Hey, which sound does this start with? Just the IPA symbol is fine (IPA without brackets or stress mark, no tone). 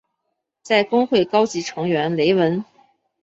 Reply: t͡s